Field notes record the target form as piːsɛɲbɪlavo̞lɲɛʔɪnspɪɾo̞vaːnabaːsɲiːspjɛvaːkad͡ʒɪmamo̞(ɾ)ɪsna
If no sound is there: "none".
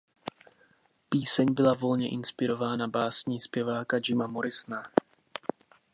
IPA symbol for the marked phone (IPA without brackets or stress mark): ɾ